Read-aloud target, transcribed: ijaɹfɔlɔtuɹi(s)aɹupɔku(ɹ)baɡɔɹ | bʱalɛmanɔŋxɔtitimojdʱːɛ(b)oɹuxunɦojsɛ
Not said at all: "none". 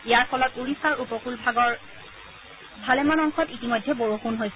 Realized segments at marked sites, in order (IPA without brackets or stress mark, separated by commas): s, l, b